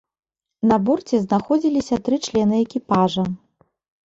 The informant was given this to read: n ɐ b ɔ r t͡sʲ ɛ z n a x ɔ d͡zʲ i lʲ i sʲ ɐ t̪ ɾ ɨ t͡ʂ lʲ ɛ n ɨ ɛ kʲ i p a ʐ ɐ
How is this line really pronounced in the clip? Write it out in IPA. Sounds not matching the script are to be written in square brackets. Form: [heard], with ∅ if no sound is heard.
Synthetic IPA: n ɐ b ɔ r t͡sʲ ɛ z n a x ɔ d͡zʲ i lʲ i sʲ ɐ t̪ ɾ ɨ t͡ʂ lʲ ɛ n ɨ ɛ kʲ i p a ʐ ɐ